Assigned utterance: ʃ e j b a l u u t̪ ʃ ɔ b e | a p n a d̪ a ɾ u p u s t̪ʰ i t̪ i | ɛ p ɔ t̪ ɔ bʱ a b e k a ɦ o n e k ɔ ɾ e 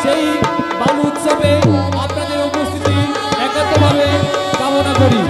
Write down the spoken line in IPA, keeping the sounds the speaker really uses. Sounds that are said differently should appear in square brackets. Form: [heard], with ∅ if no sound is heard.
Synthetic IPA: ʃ e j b a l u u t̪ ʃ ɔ b e | a p n a d̪ [e] ɾ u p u s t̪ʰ i t̪ i | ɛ [k] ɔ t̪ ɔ bʱ a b e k a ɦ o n [a] k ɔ ɾ [i]